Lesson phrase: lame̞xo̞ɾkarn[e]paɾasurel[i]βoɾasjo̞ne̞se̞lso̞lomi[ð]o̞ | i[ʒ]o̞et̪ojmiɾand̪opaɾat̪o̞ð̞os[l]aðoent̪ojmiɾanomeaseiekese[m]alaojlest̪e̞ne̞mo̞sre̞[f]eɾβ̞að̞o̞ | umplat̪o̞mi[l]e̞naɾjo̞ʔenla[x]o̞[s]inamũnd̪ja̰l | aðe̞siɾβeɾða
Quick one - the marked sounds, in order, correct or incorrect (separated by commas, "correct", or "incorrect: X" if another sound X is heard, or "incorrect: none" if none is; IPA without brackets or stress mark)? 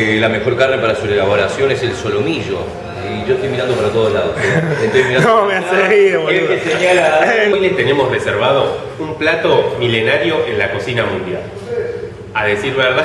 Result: correct, incorrect: a, incorrect: ʒ, correct, correct, incorrect: ɲ, incorrect: s, correct, incorrect: k, correct